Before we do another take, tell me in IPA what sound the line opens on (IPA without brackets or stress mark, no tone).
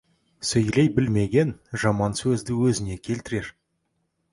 s